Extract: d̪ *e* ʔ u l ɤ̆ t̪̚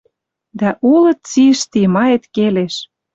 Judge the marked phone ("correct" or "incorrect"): incorrect